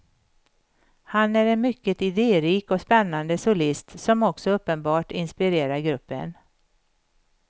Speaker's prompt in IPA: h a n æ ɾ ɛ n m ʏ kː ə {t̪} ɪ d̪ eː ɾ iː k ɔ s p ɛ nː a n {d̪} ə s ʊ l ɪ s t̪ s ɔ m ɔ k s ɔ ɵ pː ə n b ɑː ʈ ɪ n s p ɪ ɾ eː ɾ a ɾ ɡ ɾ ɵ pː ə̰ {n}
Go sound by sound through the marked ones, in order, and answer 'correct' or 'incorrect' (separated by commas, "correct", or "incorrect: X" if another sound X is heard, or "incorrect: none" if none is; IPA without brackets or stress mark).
correct, correct, correct